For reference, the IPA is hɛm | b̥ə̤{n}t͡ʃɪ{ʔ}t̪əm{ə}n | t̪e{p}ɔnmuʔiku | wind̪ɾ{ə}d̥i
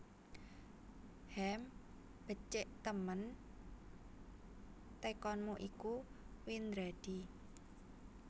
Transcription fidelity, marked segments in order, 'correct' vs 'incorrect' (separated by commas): incorrect, correct, correct, incorrect, incorrect